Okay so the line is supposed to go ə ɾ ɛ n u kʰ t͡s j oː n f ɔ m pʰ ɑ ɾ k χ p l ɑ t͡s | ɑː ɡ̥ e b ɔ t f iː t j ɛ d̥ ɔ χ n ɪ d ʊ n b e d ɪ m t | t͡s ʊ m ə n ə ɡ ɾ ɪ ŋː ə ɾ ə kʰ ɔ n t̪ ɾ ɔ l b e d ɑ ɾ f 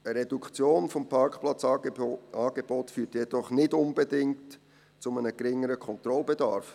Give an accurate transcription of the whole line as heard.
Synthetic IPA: ə ɾ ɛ d u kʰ t͡s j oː n f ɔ m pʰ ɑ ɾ k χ p l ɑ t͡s | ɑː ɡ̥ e b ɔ t f yː t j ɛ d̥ ɔ χ n ɪ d ʊ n b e d ɪ ŋ t | t͡s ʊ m ə n ə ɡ ɾ ɪ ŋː ə ɾ ə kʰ ɔ n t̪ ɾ ɔ l b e d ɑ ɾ f